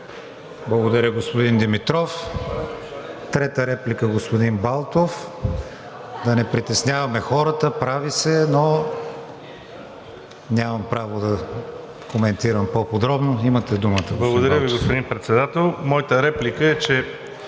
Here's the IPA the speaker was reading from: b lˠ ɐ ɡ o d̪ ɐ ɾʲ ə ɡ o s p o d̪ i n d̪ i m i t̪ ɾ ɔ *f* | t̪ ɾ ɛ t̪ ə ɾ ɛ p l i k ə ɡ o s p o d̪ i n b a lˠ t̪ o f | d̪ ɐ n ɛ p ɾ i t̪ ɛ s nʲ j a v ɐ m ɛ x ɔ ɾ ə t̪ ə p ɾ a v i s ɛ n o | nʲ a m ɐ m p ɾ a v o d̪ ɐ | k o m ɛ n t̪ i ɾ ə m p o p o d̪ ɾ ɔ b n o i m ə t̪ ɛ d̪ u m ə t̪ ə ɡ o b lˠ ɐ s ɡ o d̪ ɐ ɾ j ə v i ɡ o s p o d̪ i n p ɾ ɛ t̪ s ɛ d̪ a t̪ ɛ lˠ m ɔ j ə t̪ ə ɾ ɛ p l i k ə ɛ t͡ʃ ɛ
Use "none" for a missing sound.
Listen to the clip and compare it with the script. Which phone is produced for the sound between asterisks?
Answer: f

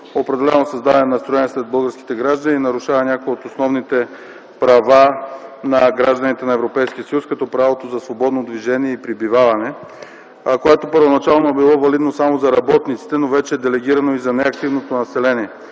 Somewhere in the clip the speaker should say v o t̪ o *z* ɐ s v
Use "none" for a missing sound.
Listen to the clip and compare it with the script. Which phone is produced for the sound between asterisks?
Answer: z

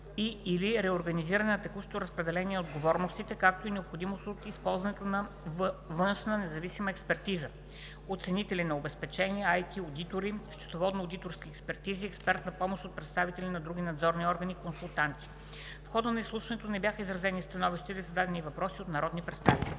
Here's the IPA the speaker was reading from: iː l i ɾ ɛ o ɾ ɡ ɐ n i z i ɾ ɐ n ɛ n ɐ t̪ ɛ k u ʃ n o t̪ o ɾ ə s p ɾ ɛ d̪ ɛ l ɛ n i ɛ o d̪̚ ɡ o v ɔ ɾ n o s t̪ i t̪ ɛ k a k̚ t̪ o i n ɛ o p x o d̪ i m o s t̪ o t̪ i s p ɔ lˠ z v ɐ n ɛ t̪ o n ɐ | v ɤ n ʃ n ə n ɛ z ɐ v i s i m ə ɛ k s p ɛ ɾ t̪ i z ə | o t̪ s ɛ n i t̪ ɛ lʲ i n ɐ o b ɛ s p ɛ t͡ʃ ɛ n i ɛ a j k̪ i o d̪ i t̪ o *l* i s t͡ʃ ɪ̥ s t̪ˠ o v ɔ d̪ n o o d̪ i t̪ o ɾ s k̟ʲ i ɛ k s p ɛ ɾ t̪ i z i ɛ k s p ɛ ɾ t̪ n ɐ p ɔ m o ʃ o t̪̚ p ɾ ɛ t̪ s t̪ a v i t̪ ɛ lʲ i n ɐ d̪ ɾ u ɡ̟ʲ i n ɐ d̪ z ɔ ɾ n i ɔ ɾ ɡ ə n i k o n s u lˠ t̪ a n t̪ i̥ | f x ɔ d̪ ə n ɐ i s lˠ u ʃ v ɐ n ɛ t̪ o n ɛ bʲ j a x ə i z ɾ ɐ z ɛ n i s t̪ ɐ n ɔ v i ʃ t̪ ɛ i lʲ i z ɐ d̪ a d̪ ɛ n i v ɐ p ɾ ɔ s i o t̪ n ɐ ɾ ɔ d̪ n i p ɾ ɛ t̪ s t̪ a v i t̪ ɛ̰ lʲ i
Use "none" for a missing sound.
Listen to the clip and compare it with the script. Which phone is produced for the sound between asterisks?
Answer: ɾ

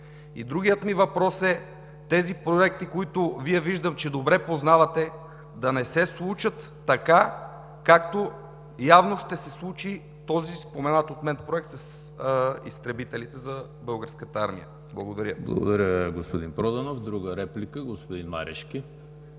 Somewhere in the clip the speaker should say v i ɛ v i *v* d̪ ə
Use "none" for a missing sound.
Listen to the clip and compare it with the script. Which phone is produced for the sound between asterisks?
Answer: ʒ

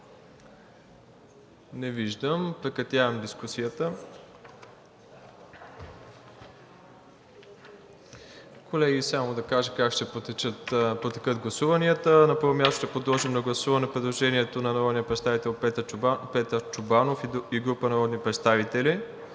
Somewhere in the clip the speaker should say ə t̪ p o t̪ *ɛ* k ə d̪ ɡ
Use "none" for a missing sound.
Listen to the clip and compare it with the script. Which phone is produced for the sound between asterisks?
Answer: ɛ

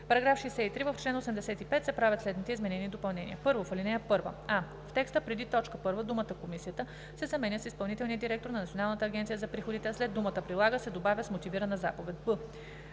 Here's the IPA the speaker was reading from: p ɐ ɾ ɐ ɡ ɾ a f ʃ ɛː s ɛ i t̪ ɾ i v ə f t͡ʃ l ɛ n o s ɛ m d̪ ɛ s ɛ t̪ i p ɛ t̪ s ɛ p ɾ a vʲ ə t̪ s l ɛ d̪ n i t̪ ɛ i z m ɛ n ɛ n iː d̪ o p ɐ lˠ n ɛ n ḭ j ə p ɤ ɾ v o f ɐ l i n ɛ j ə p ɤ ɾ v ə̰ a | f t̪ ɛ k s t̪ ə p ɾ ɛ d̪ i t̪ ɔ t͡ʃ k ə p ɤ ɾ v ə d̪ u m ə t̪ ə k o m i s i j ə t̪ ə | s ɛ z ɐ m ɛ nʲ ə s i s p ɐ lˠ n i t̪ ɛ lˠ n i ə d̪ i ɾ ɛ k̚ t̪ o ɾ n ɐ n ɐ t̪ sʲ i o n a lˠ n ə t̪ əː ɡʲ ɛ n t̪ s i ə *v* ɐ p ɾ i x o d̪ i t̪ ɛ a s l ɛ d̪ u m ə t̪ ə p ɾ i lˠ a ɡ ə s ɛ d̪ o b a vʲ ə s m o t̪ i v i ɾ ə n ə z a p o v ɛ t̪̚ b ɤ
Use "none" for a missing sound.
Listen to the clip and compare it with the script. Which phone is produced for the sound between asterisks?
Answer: z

